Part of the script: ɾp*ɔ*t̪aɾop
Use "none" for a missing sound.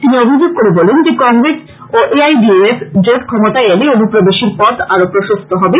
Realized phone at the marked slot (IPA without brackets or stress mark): ɔ